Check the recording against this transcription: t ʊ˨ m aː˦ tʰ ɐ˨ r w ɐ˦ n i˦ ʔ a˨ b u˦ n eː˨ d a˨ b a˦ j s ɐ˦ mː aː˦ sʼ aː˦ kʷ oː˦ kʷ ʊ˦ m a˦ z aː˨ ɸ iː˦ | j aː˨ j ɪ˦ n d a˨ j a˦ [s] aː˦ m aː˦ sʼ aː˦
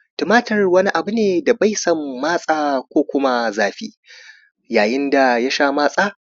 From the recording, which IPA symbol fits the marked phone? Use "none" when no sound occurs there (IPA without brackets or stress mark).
ʃ